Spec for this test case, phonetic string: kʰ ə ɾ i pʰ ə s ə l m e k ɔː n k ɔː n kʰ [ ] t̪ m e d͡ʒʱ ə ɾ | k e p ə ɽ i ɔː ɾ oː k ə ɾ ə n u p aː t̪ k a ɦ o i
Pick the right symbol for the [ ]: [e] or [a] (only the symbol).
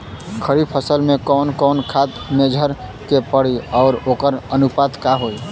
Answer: a